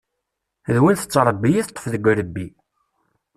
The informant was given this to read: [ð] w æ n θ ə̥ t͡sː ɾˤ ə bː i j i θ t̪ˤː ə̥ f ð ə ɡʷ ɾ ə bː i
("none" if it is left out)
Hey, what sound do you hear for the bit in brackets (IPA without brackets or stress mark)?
ð